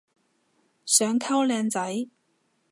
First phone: s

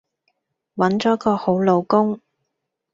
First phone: w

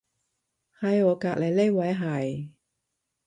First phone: h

